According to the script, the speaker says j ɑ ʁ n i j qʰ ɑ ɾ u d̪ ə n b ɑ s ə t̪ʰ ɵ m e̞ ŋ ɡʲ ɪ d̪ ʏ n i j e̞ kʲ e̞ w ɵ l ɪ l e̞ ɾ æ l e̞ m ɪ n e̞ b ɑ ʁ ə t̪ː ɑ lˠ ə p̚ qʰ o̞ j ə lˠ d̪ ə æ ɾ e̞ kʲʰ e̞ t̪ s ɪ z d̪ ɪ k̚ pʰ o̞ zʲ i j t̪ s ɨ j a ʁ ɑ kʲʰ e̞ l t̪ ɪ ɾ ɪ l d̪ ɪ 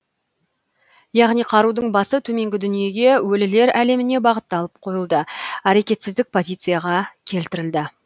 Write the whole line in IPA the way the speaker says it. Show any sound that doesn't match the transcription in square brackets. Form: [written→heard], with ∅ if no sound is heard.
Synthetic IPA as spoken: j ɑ ʁ n i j qʰ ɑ ɾ u d̪ ə [n→ɴ] b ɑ s ə t̪ʰ ɵ m e̞ ŋ ɡʲ ɪ d̪ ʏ n i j e̞ [kʲ→ɡʲ] e̞ w ɵ l ɪ l e̞ ɾ æ l e̞ m ɪ n e̞ b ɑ ʁ ə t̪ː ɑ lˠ ə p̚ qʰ o̞ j ə lˠ d̪ ə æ ɾ e̞ [kʲʰ→kʲ] e̞ t̪ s ɪ z d̪ ɪ k̚ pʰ o̞ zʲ i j t̪ s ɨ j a ʁ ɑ kʲʰ e̞ l t̪ ɪ ɾ ɪ l d̪ ɪ